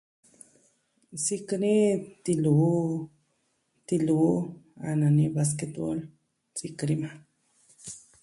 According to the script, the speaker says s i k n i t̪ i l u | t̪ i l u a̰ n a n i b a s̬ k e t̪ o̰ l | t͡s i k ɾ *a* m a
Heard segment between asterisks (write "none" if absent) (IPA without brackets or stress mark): i